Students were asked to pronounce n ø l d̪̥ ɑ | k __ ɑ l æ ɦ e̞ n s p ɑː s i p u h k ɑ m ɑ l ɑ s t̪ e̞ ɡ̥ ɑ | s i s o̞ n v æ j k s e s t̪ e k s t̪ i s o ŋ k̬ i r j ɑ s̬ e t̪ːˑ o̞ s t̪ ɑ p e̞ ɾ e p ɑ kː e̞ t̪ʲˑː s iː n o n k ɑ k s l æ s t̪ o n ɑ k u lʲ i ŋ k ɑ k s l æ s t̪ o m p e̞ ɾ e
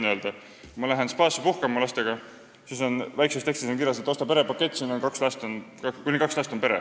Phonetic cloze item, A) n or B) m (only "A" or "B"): B